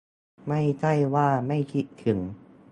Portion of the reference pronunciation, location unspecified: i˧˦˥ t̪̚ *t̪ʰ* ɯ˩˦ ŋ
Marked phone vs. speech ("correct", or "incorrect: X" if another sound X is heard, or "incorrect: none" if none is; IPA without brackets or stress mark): correct